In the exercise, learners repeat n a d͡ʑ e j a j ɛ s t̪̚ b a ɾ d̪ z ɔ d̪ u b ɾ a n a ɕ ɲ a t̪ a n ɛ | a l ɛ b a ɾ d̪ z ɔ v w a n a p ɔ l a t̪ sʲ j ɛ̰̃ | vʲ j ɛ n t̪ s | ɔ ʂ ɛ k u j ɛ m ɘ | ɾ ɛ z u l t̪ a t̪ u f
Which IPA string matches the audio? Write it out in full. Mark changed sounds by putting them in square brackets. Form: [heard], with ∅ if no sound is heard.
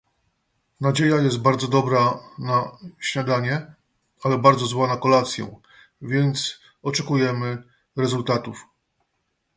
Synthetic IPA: n a d͡ʑ e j a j ɛ s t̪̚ b a ɾ d̪ z ɔ d̪ [ɔ] b ɾ a n a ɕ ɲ a [d̪] a [ɲ] ɛ | a l ɛ b a ɾ d̪ z ɔ [z] w a n a [k] ɔ l a t̪ sʲ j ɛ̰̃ | vʲ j ɛ n t̪ s | ɔ [t͡ʂ] ɛ k u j ɛ m ɘ | ɾ ɛ z u l t̪ a t̪ u f